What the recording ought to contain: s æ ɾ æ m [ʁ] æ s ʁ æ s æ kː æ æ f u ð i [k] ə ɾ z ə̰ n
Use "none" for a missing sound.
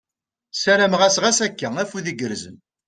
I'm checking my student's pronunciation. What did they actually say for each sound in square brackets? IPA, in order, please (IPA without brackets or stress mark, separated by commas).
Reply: ʁ, ɡ